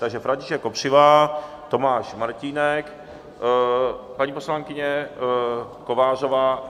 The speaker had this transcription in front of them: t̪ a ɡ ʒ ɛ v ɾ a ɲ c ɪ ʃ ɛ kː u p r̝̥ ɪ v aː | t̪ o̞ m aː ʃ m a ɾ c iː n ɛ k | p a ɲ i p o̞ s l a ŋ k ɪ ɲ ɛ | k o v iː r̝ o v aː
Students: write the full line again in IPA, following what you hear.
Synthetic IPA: t̪ a ɡ ʒ ɛ f ɾ a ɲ c ɪ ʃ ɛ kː o p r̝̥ ɪ v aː | t̪ o̞ m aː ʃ m a ɾ c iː n ɛ k | p a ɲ i p o̞ s l a ŋ k ɪ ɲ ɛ | k o v aː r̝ o v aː